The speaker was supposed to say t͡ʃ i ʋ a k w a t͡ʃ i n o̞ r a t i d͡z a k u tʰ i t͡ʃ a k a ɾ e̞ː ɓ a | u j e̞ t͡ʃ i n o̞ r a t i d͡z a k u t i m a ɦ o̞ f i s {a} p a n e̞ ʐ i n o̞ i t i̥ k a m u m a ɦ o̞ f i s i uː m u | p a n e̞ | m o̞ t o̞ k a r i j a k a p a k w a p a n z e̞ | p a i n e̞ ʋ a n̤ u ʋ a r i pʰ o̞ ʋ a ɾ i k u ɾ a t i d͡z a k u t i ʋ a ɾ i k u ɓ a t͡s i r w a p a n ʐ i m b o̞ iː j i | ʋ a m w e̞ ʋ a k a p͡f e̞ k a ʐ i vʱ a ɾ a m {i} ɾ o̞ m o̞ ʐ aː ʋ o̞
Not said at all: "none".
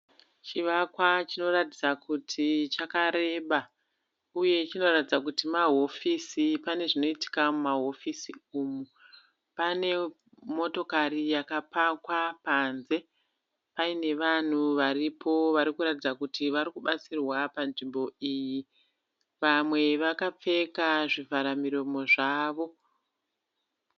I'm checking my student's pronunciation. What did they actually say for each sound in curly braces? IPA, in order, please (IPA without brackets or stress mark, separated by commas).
i, i